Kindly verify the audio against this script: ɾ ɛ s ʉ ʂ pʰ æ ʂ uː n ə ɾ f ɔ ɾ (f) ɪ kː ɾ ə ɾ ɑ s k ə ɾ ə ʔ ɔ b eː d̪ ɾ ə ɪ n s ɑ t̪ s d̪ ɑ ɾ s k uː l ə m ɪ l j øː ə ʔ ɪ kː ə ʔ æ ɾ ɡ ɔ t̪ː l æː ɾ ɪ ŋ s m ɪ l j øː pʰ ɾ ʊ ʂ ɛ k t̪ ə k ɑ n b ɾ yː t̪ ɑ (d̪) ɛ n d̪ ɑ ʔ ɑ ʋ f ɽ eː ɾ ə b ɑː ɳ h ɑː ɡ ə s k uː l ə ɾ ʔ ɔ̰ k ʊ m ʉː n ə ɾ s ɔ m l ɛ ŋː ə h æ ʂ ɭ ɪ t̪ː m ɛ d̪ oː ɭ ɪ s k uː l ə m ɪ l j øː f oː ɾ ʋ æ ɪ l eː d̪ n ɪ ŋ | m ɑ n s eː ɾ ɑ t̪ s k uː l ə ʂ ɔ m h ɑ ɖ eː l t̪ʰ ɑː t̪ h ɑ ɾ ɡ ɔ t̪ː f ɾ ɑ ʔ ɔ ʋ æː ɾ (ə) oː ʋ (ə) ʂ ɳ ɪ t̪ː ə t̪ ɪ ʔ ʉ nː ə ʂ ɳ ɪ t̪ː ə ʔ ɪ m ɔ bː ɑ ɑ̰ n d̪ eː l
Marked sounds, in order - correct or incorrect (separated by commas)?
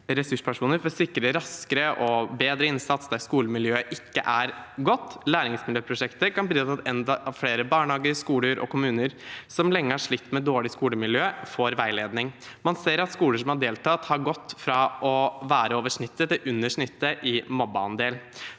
incorrect, incorrect, correct, correct